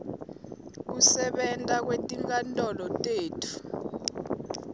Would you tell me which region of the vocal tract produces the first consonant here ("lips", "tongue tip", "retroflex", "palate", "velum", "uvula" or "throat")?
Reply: velum